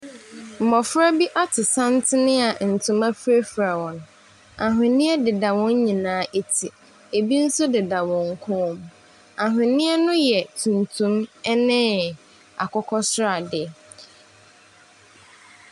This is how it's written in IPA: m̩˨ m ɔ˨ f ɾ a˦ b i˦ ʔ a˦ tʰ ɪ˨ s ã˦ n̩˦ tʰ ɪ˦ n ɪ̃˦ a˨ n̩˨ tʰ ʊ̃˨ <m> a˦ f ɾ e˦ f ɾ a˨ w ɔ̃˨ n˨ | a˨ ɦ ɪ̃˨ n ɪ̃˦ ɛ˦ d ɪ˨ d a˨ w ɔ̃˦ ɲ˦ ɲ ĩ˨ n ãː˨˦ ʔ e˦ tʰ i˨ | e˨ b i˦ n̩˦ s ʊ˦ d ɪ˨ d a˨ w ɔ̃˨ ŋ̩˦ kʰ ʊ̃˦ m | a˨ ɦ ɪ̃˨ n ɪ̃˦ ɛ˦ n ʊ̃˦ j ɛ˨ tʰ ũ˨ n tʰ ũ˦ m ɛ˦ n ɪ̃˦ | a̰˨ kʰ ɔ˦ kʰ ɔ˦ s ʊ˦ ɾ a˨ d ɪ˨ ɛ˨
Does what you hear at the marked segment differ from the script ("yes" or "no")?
no